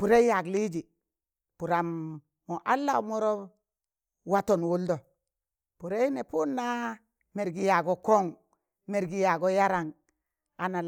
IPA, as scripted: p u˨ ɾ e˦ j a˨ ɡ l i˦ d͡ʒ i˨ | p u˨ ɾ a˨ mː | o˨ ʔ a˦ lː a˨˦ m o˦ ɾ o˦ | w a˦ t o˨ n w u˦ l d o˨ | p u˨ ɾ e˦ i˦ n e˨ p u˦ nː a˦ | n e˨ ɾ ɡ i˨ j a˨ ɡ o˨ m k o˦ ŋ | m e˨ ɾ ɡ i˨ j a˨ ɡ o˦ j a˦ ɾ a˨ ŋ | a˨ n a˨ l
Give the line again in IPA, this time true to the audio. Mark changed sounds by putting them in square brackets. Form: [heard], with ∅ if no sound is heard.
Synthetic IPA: p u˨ ɾ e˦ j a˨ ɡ l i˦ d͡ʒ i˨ | p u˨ ɾ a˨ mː | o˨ ʔ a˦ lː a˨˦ m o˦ ɾ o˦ | w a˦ t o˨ n w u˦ l d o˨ | p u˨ ɾ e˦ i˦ n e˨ p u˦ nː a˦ | [m] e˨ ɾ ɡ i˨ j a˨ ɡ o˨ [∅] k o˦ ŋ | m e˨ ɾ ɡ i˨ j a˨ ɡ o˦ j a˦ ɾ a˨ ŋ | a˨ n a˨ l